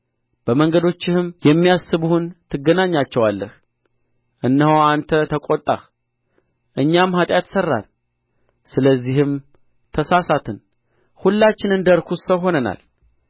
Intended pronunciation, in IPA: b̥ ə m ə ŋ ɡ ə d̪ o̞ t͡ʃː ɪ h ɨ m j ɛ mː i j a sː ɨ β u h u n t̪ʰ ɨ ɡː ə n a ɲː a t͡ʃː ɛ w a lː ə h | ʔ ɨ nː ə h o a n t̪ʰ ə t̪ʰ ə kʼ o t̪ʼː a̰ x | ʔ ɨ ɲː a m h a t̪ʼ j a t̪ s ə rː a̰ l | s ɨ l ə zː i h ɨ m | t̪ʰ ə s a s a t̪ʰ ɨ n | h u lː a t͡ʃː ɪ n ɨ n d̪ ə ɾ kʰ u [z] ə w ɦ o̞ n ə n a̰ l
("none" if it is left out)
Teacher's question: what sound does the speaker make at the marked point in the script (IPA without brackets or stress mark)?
s